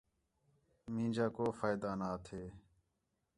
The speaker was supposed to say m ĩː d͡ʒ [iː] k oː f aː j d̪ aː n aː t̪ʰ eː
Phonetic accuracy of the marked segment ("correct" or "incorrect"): incorrect